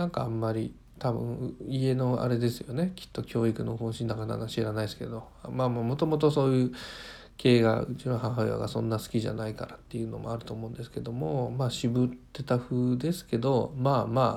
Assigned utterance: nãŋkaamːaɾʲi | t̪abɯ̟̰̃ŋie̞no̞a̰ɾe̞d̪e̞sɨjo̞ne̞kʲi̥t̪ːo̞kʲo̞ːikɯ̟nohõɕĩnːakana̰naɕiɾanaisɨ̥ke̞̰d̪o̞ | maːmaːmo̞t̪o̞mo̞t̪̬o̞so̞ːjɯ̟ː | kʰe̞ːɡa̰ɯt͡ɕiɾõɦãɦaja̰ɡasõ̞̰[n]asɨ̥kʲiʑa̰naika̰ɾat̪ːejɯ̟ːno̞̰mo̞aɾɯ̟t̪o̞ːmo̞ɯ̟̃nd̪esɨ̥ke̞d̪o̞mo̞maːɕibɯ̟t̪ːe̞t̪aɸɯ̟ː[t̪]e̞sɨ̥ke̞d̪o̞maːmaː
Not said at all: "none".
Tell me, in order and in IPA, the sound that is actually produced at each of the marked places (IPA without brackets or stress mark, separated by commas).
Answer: nː, d̪